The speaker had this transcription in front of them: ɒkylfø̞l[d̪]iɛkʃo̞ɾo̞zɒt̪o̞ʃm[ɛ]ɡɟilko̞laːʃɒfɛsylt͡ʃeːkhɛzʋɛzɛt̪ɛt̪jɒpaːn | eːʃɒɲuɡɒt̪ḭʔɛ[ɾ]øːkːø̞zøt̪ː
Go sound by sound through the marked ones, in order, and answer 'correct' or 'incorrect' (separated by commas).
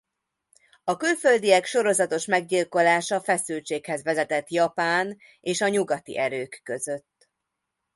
correct, correct, correct